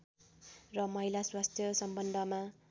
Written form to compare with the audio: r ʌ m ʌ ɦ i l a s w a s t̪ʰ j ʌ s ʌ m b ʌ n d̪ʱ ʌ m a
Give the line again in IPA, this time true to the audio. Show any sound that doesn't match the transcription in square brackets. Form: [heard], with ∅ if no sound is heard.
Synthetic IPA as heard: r ʌ m ʌ ɦ i l a s w a s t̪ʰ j ʌ s ʌ m b ʌ n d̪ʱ ʌ m a